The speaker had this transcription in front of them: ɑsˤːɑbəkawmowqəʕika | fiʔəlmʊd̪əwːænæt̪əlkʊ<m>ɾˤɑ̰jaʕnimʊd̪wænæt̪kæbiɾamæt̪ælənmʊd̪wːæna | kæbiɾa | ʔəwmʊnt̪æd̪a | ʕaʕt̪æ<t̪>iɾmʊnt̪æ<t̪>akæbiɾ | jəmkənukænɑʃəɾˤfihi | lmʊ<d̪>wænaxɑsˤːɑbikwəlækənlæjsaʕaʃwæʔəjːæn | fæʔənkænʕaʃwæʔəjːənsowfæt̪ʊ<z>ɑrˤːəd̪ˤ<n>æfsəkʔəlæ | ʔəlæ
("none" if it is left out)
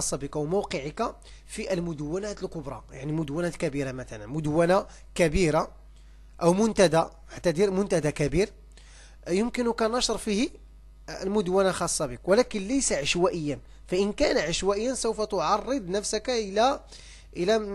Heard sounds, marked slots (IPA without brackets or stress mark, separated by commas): b, d̪, d̪, d̪, ʕ, n